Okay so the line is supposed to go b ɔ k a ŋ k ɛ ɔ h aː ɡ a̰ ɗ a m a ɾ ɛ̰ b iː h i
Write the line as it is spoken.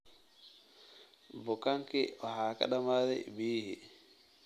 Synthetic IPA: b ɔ k a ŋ k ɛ ɔ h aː k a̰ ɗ a m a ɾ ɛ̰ b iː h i